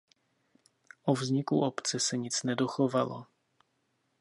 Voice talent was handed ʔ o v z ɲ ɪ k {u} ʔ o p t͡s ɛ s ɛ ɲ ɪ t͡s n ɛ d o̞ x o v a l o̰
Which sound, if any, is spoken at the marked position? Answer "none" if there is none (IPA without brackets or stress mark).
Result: u